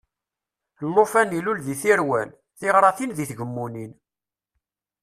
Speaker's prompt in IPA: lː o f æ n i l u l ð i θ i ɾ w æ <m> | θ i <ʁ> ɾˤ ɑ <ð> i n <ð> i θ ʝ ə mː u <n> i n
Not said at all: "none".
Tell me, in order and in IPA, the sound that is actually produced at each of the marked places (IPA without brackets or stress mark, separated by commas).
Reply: n, ʁ, θ, ð, n